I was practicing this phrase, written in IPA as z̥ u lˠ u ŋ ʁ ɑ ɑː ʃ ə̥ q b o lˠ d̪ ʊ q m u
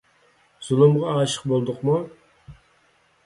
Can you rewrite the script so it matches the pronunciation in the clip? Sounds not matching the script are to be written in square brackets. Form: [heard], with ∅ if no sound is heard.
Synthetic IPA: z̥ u lˠ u [m] ʁ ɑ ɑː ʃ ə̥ q b o lˠ d̪ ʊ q m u